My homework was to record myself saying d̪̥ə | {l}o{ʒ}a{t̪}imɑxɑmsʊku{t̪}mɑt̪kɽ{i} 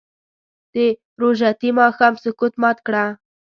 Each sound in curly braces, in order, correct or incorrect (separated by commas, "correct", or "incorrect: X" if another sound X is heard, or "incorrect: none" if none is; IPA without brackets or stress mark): incorrect: ɾ, correct, correct, correct, incorrect: a